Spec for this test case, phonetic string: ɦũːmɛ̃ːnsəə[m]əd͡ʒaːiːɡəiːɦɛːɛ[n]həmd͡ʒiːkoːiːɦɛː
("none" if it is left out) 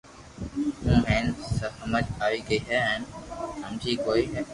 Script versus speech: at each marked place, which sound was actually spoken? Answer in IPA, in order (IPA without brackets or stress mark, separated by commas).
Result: m, n